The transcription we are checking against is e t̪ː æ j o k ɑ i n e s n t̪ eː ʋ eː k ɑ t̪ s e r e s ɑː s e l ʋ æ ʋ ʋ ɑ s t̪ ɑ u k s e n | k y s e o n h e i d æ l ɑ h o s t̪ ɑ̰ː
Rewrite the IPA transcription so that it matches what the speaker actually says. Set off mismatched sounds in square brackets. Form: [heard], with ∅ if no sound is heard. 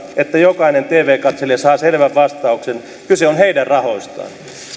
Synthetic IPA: e t̪ː æ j o k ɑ i n e [∅] n t̪ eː ʋ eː k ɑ t̪ s e [l] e s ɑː s e l ʋ æ ʋ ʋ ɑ s t̪ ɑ u k s e n | k y s e o n h e i d æ [r] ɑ h o s t̪ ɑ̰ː